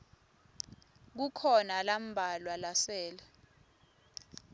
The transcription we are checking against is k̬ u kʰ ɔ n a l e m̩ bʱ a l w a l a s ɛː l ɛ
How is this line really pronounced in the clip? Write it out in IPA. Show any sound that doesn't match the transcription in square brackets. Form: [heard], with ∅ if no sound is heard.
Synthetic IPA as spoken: k̬ u kʰ ɔ n a l [a] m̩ bʱ a l w a l a s ɛː l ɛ